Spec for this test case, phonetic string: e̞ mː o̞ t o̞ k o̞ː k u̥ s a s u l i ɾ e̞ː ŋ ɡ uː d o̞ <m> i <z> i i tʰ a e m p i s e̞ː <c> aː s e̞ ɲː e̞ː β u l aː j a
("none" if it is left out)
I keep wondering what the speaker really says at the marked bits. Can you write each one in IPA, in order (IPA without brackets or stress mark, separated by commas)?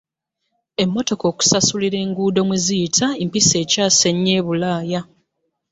m, z, c